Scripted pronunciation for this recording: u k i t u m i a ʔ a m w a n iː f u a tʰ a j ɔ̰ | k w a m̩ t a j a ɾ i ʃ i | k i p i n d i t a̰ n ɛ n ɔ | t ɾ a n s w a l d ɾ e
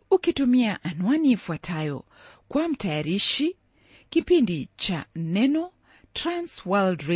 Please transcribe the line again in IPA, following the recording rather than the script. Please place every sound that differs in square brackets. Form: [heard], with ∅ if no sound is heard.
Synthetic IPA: u k i t u m i a ʔ a [n] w a n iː f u a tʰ a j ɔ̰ | k w a m̩ t a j a ɾ i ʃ i | k i p i n d i [t͡ʃ] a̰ n ɛ n ɔ | t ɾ a n s w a l d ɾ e